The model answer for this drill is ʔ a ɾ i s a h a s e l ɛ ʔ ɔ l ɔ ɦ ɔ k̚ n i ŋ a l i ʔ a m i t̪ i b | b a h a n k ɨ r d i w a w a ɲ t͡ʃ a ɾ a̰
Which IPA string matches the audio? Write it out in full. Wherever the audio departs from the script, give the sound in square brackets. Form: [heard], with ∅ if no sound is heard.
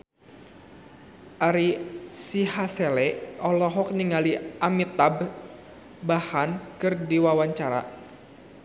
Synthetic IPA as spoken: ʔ a ɾ i s [i] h a s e l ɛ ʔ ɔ l ɔ ɦ ɔ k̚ n i ŋ a l i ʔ a m i t̪ [a] b | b a h a n k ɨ r d i w a w a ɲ t͡ʃ a ɾ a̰